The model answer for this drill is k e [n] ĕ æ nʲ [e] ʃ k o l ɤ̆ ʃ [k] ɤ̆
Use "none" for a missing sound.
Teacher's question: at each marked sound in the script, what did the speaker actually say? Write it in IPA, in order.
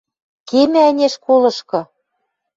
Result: m, e, k

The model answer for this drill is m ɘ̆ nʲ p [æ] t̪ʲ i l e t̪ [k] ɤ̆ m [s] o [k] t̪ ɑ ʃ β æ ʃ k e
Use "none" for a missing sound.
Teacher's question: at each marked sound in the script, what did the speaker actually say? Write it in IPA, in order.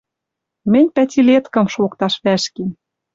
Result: æ, k, ʃ, k

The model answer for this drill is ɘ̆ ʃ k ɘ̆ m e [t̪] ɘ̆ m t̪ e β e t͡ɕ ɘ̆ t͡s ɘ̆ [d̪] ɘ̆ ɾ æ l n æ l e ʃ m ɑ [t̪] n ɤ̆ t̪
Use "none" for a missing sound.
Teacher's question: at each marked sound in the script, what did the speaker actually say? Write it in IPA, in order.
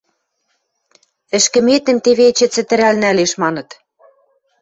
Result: t̪, t̪, none

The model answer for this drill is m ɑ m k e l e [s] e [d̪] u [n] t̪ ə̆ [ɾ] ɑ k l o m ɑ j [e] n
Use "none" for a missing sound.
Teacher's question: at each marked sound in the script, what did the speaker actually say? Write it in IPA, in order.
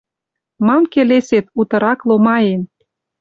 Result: s, t̪, none, ɾ, e

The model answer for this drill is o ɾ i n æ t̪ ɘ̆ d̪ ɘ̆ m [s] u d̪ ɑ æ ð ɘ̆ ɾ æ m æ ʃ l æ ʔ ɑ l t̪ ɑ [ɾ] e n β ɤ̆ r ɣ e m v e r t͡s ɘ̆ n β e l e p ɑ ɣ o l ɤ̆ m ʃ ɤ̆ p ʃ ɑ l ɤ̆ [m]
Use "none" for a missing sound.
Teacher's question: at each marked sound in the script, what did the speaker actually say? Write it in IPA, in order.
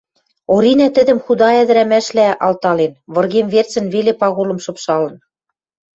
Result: x, l, n

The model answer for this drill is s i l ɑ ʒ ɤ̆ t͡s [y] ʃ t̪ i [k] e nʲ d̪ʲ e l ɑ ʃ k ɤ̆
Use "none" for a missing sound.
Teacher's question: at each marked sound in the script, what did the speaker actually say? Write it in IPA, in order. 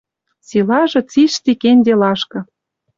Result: i, k

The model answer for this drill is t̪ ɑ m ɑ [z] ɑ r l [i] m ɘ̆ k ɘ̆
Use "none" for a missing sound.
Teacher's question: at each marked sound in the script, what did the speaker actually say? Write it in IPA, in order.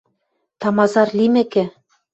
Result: z, i

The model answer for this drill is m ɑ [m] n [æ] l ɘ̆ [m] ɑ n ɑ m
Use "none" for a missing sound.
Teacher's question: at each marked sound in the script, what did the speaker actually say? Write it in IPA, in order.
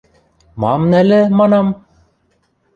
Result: m, æ, m

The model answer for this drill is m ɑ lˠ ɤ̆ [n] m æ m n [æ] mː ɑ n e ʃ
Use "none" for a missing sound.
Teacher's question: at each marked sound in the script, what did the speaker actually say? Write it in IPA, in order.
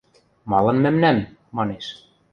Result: n, æ

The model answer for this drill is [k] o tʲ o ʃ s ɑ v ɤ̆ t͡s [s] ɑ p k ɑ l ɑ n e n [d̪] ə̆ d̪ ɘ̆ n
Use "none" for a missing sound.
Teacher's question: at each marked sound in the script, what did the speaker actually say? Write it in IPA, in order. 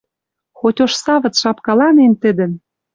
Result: x, ʃ, t̪

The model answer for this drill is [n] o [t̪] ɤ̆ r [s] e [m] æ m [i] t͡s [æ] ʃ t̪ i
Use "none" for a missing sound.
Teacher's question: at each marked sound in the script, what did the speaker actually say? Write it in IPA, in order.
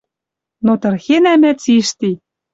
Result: n, t̪, x, n, æ, i

